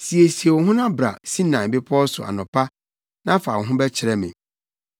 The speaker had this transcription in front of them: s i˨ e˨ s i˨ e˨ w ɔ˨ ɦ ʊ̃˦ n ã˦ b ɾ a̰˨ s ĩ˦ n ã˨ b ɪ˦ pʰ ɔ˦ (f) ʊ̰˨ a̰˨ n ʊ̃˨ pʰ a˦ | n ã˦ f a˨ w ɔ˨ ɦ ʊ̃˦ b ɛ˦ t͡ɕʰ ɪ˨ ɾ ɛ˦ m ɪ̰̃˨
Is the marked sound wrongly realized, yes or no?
yes